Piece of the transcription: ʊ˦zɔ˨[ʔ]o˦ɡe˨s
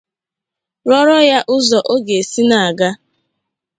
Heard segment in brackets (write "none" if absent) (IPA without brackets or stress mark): ʔ